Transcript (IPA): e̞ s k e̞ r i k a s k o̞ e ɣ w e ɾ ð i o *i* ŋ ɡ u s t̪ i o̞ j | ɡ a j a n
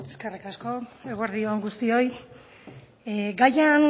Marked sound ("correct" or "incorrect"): incorrect